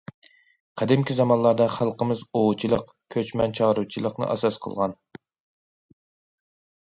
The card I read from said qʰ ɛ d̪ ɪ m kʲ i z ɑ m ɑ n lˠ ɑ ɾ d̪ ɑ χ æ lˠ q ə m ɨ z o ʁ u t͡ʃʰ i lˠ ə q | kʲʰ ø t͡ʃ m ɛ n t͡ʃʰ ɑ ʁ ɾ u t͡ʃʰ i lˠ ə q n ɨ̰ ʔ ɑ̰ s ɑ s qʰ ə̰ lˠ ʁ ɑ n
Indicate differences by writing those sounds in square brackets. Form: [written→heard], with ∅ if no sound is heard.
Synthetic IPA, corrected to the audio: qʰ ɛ d̪ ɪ m kʲ i z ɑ m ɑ n lˠ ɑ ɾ d̪ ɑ χ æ lˠ q ə m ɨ z o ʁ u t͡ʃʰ i lˠ ə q | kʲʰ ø t͡ʃ m ɛ n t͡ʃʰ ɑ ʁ ɾ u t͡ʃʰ i lˠ ə q n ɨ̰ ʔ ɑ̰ s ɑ s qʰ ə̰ lˠ ʁ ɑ n